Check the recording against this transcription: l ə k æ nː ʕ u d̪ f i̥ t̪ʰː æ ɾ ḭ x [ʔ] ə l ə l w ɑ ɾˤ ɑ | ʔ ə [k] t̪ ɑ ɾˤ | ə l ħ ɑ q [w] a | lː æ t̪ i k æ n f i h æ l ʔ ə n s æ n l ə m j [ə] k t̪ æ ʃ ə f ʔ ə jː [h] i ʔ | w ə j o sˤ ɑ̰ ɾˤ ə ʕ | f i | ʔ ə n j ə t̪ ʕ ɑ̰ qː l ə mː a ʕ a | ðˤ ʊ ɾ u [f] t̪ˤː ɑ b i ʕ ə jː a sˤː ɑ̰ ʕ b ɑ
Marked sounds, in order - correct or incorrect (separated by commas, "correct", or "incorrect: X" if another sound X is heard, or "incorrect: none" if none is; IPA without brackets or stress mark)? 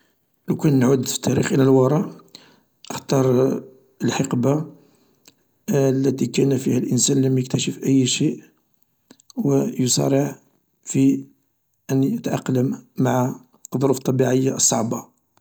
correct, incorrect: x, incorrect: b, correct, incorrect: ʃ, correct